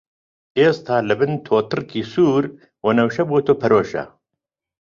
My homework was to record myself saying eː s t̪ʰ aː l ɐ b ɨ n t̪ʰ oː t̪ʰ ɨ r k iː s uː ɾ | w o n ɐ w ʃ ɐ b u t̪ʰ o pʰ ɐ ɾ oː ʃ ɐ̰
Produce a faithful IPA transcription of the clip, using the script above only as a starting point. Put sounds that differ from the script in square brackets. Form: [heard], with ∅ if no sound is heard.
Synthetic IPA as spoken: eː s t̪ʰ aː l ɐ b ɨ n t̪ʰ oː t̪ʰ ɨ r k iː s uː ɾ | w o n ɐ w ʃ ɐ b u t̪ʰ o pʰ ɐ ɾ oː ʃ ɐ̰